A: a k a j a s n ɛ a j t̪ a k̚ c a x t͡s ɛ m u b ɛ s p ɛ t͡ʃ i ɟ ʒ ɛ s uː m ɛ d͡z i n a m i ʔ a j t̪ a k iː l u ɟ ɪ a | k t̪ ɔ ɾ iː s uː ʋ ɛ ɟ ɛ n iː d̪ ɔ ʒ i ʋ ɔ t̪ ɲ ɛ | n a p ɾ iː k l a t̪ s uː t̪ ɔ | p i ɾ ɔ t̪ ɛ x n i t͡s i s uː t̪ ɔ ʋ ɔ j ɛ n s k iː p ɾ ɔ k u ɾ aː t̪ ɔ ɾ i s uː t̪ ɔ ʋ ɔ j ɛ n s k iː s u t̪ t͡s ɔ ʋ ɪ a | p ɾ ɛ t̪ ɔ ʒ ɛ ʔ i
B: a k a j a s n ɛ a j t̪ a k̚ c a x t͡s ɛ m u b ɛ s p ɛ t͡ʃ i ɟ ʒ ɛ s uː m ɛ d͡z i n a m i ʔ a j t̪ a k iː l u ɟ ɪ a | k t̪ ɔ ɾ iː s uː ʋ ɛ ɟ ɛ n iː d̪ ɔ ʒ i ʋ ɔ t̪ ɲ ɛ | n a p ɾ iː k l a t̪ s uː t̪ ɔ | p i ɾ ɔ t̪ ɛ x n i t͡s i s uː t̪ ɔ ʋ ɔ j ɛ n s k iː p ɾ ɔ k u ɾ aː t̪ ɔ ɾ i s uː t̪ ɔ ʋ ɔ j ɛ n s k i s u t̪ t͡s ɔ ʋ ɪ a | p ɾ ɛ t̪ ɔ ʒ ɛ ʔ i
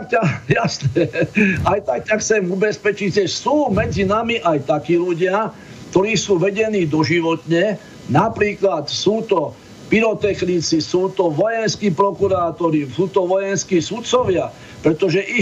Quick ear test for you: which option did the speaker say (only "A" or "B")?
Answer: A